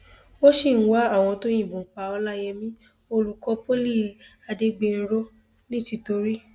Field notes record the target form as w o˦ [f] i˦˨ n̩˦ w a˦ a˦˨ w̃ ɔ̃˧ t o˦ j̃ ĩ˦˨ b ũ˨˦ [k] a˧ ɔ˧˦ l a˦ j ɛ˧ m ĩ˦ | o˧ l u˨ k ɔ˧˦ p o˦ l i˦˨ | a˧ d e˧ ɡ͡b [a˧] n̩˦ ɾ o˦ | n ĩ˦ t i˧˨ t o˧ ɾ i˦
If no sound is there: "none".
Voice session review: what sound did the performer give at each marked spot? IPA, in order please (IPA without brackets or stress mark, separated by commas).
ʃ, k͡p, e˧